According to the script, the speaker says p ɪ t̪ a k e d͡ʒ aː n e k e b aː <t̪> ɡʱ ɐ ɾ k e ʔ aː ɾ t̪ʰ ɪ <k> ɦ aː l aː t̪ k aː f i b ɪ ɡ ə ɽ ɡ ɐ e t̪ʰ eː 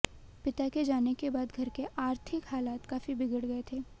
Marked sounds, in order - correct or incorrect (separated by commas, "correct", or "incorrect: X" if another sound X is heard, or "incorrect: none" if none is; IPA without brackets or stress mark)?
incorrect: d̪, correct